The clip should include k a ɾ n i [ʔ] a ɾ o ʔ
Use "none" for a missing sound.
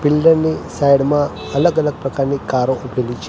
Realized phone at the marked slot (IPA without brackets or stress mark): k